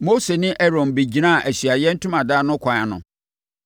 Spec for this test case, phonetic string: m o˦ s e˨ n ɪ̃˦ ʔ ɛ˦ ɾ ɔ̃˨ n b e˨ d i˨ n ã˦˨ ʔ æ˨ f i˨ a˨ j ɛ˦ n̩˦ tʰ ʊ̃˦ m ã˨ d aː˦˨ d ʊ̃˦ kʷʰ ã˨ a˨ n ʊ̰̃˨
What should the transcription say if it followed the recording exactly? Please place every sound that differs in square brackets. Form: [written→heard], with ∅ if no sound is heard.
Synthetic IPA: m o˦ s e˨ n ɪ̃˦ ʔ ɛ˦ ɾ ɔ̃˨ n b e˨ [d→d͡ʑ] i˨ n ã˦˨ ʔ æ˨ [f→ɕ] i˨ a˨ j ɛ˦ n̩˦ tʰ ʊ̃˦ m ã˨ d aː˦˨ [d→n] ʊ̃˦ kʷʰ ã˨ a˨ n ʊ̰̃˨